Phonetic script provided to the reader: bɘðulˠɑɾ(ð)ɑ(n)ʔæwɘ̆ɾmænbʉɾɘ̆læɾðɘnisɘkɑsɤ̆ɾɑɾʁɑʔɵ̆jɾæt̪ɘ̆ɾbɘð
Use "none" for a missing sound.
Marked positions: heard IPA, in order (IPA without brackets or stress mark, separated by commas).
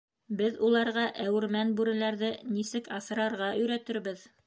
ʁ, none